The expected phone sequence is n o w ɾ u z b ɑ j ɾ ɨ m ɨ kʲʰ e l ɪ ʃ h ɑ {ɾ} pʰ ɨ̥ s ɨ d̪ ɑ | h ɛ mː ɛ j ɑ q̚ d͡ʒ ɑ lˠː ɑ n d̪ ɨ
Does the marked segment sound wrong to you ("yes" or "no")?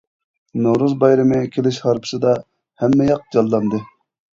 no